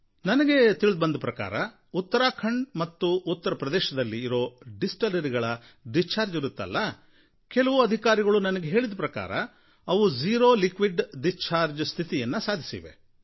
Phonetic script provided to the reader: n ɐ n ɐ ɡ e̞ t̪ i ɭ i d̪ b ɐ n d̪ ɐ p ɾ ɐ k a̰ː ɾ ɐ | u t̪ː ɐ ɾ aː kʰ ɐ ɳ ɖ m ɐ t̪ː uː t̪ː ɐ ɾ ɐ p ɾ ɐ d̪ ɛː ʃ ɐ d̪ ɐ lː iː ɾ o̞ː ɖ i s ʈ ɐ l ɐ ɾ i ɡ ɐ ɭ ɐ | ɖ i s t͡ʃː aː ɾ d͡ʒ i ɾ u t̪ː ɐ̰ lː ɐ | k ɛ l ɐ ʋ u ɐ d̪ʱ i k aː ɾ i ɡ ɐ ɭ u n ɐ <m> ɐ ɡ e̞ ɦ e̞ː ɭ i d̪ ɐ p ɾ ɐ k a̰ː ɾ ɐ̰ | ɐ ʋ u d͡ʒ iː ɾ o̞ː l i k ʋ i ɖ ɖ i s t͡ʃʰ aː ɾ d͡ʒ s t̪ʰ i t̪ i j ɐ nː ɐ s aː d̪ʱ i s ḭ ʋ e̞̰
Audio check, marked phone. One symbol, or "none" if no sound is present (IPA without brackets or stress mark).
n